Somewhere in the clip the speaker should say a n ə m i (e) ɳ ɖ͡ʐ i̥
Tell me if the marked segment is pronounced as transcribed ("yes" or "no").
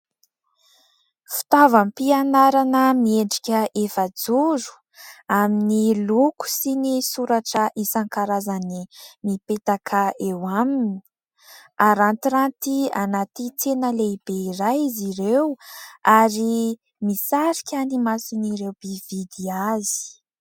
yes